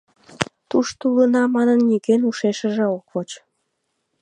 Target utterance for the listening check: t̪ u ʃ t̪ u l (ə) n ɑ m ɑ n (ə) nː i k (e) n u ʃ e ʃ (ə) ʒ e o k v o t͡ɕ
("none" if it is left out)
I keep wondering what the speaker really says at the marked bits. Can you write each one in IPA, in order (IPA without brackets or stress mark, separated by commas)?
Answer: ə, ə, e, ə